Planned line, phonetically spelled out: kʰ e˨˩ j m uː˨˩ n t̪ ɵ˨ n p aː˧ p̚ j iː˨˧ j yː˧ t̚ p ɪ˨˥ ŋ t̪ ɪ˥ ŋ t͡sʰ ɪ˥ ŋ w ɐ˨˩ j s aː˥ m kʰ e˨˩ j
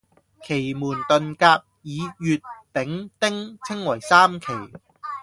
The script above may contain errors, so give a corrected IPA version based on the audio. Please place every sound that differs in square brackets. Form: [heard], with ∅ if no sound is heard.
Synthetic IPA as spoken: kʰ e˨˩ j m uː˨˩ n t̪ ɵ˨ n [k] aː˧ p̚ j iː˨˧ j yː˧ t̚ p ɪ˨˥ ŋ t̪ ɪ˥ ŋ t͡sʰ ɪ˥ ŋ w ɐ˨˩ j s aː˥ m kʰ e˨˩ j